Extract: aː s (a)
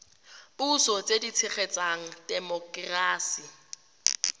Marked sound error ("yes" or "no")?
yes